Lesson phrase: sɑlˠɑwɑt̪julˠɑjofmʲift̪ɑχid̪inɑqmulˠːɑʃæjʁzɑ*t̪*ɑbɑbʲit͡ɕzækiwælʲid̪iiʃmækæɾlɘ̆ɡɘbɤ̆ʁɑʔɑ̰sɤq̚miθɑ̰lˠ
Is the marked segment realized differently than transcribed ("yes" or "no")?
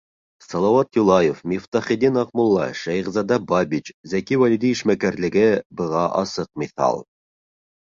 yes